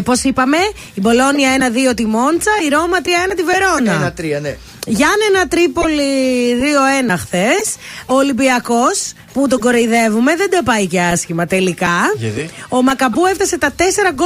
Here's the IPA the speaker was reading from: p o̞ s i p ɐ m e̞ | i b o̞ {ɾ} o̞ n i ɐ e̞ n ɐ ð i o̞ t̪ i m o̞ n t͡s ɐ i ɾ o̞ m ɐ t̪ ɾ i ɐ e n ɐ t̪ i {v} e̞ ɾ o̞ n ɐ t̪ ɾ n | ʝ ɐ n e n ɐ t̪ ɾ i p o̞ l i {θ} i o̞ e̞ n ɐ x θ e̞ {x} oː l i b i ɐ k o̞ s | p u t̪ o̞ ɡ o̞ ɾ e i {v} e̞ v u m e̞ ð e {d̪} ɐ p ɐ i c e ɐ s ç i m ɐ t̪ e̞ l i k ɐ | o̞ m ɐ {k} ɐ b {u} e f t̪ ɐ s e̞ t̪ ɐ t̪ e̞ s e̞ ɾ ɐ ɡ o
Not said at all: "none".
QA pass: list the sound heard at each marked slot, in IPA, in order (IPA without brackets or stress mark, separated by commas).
l, v, ð, s, ð, d̪, k, u